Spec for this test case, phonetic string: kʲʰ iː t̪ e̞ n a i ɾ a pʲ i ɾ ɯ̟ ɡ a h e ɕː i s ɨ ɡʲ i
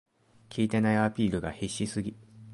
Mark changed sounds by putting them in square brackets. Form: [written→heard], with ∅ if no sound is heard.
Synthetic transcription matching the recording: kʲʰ iː t̪ e̞ n a i [ɾ→∅] a pʲ [i→iː] ɾ ɯ̟ ɡ a h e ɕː i s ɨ ɡʲ i